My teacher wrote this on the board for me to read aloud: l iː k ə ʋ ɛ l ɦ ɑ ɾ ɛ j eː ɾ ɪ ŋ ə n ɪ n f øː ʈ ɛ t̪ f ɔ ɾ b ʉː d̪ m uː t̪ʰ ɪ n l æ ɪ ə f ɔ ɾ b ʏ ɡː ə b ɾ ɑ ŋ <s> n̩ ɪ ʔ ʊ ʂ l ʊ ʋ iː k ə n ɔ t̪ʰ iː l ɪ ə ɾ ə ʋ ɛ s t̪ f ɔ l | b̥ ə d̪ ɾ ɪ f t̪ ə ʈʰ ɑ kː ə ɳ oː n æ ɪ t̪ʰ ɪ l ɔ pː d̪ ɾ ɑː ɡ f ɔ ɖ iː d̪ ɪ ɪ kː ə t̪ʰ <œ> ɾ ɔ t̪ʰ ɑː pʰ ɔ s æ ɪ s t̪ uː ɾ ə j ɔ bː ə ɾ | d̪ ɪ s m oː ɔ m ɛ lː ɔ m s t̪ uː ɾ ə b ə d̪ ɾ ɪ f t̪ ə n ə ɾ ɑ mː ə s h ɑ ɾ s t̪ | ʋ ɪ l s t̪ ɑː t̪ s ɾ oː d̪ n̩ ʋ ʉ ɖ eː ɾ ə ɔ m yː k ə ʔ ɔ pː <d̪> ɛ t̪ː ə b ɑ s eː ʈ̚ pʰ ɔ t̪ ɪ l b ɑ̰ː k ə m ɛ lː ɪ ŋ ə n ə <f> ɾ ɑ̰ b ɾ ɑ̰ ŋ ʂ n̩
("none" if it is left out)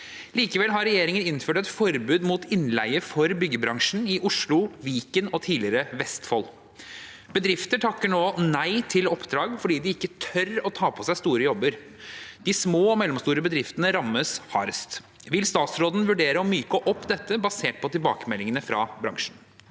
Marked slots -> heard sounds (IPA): ʂ, œ, d̪, f

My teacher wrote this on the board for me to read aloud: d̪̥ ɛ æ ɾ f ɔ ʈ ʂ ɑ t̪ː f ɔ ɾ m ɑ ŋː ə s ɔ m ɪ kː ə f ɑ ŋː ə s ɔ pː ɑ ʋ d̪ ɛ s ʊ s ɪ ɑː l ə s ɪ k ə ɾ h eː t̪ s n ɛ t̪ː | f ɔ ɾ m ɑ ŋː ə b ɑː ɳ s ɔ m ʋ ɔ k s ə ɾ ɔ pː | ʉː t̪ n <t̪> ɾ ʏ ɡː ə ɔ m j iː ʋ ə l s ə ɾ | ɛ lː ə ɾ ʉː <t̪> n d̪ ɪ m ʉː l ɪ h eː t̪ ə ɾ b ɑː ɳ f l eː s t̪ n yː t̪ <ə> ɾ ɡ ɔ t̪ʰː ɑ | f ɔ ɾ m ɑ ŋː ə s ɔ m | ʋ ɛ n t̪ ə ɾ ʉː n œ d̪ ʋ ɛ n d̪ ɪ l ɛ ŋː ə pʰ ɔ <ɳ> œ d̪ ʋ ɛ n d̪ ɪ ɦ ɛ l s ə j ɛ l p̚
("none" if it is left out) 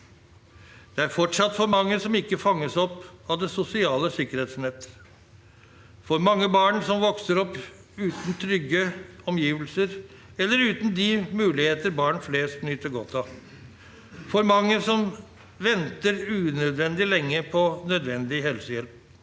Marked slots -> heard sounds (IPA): t̪ʰ, t̪, ə, n

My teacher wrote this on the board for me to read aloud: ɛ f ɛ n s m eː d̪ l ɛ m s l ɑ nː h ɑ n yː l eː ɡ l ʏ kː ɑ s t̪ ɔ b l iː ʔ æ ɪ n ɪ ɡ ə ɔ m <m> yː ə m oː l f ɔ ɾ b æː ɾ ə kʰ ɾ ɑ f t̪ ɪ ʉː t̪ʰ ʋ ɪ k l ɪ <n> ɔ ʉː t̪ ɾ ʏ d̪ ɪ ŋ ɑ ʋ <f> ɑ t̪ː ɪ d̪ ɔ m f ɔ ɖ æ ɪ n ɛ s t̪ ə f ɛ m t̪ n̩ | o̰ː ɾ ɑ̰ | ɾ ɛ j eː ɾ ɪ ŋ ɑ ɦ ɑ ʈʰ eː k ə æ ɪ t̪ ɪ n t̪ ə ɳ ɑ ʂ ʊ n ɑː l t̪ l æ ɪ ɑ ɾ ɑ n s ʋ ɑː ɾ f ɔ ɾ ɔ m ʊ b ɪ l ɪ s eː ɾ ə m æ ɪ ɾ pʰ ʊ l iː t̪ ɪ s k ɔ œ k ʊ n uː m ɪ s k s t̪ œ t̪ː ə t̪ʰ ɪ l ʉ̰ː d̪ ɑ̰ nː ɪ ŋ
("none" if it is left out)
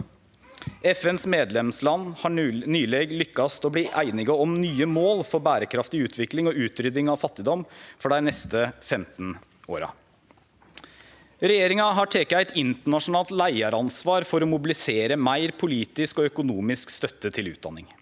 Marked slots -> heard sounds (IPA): n, ŋ, f

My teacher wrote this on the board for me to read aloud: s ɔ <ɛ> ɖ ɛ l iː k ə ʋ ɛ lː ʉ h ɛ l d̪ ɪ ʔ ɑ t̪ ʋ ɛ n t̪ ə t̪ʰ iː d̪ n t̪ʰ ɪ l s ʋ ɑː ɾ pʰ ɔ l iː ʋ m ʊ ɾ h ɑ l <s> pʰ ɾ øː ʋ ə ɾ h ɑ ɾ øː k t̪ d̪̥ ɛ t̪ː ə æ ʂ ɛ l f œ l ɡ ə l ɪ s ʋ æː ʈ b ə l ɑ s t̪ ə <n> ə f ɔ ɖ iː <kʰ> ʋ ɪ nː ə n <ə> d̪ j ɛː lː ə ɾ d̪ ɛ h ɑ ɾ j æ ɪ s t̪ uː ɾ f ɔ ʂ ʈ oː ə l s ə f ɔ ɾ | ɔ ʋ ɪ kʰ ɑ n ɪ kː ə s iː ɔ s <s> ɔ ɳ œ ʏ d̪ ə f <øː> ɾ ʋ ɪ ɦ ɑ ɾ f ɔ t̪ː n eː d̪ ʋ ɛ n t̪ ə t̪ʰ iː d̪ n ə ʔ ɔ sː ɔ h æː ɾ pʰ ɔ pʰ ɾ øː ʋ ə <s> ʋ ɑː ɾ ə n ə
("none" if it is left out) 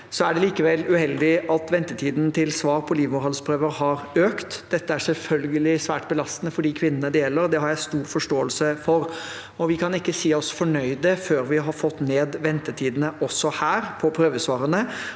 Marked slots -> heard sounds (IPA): æ, s, n, kʰ, ə, f, øː, s

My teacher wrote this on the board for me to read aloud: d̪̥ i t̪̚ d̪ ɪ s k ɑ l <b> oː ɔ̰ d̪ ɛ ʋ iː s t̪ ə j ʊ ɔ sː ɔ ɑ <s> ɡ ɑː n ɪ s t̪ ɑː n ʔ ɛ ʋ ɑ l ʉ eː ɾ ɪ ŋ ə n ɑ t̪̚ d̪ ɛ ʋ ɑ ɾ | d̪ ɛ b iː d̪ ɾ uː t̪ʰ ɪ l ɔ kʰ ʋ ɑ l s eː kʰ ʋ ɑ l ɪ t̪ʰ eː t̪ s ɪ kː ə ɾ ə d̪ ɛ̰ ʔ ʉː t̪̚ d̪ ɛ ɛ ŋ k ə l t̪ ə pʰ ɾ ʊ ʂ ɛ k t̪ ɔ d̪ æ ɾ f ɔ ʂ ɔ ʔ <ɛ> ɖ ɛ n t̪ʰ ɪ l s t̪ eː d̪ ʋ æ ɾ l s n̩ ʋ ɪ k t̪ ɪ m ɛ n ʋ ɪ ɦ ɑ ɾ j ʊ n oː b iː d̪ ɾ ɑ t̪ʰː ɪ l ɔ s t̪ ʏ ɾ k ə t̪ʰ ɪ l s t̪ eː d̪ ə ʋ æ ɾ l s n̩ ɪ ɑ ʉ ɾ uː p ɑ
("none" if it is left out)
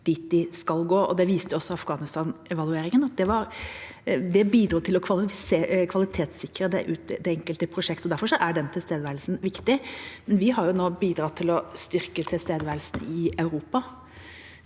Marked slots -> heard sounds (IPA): ɡ, f, æ

